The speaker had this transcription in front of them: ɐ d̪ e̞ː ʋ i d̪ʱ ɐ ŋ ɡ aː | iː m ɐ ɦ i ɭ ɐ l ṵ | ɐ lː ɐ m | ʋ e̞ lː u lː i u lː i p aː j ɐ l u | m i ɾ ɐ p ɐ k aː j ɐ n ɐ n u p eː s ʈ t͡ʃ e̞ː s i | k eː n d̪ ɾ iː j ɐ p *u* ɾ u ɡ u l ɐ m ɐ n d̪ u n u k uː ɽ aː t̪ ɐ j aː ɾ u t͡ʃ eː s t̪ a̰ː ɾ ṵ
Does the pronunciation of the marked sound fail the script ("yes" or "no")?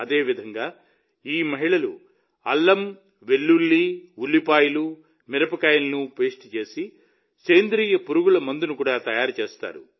no